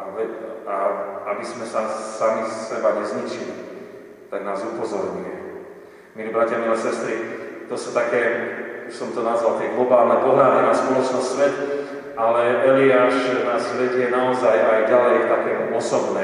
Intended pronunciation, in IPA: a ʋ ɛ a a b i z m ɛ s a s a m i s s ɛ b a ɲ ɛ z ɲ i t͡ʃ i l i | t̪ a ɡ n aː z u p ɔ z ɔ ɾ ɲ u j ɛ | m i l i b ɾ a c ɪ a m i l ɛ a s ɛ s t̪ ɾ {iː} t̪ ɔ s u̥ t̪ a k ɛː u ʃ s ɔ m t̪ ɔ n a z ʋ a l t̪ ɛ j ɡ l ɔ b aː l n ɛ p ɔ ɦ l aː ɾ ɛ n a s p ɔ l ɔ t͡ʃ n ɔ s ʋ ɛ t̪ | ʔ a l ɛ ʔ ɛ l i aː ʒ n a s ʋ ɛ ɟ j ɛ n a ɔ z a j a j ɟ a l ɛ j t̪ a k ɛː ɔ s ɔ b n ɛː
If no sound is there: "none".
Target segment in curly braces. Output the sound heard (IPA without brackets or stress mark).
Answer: i